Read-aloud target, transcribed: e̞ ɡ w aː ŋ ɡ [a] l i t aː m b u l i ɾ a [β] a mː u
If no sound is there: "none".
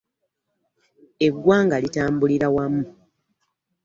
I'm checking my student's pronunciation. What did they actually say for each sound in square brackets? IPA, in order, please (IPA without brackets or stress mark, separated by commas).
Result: a, w